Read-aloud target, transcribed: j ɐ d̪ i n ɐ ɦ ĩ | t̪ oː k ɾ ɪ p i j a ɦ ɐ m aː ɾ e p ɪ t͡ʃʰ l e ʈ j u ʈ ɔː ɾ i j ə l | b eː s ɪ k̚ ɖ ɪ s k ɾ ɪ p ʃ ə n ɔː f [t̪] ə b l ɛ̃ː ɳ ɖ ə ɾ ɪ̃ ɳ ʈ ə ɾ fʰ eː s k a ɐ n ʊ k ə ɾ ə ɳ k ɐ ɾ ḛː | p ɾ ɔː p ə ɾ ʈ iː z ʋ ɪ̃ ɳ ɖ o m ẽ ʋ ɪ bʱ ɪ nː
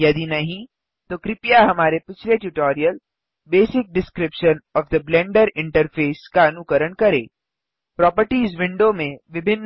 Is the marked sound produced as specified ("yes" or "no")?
no